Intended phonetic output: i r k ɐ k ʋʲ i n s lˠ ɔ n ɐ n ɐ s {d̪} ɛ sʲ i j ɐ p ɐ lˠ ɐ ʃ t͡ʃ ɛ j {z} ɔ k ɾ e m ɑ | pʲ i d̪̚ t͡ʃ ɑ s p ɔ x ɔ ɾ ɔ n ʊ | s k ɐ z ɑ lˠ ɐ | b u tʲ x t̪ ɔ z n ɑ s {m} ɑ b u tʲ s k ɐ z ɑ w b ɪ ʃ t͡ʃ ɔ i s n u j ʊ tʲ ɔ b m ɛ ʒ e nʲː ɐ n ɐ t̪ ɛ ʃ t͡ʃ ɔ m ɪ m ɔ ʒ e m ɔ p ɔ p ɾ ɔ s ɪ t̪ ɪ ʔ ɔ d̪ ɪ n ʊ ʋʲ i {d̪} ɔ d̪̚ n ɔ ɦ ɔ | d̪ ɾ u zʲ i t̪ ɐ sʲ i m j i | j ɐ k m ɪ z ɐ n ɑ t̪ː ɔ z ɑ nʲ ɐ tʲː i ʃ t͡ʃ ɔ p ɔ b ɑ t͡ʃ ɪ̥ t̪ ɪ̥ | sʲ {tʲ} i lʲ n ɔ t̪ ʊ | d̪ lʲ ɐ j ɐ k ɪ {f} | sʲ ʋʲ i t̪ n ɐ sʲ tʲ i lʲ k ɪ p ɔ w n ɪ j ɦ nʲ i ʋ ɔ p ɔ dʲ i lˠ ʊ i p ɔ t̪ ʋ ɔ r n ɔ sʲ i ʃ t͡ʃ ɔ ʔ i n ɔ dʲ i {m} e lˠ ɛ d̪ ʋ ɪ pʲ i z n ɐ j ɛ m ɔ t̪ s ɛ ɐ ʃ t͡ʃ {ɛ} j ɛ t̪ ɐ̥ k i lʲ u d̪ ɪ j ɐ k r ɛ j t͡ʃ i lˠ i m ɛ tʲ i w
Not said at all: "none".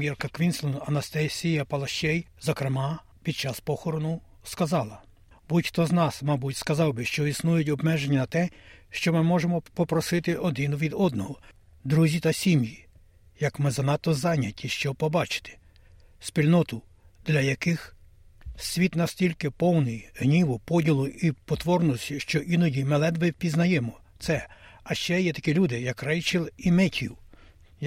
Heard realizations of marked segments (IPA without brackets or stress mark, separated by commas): t̪, z, m, d̪, pʲ, x, m, ɛ